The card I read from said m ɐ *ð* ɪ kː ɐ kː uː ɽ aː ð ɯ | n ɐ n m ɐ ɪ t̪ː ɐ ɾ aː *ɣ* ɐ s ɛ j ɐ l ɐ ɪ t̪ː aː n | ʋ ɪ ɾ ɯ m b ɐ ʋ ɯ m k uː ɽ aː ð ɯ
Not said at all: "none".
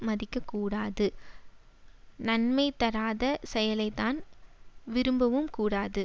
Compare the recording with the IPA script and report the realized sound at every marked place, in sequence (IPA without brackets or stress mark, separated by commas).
ð, ð